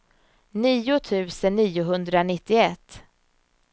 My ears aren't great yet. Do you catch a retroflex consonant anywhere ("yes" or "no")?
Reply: no